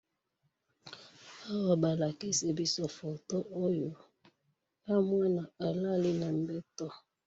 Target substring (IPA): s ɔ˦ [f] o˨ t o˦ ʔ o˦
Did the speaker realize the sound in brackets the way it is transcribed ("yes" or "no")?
yes